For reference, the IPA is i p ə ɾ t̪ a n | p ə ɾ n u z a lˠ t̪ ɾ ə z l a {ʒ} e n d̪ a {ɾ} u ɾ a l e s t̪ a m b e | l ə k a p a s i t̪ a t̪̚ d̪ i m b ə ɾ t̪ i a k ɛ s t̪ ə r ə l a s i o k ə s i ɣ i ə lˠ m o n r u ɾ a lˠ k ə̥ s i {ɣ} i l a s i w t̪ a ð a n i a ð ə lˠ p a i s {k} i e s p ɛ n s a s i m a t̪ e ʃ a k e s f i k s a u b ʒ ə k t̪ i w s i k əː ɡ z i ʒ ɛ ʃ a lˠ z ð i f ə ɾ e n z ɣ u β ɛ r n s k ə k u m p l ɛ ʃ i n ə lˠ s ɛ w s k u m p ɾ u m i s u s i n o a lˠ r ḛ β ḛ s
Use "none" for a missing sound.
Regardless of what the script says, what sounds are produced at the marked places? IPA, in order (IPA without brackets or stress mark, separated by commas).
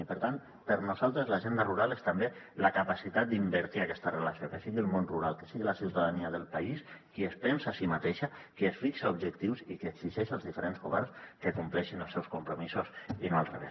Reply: ʒ, r, ɣ, k